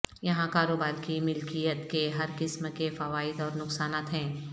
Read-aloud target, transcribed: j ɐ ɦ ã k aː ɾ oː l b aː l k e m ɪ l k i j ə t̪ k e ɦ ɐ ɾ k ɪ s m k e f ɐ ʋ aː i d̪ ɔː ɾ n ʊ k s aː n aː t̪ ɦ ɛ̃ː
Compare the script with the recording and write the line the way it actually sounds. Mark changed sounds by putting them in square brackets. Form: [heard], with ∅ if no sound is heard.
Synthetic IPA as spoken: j ɐ ɦ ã k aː ɾ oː [∅] b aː [ɾ] k [i] m ɪ l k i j ə t̪ k e ɦ ɐ ɾ k ɪ s m k e f ɐ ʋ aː [ɪ] d̪ ɔː ɾ n ʊ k s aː n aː t̪ ɦ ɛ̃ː